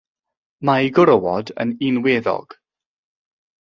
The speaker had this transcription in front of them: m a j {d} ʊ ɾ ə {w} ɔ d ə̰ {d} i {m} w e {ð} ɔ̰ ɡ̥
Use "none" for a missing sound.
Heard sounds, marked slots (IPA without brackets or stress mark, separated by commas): ɡ, w, n, n, ð